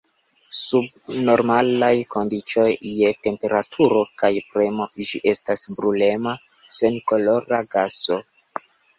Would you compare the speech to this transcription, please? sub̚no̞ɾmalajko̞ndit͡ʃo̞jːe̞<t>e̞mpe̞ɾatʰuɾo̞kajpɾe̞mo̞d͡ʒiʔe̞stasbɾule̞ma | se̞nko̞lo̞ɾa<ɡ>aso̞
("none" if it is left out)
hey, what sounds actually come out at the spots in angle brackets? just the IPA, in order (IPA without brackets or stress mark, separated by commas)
t, ɡ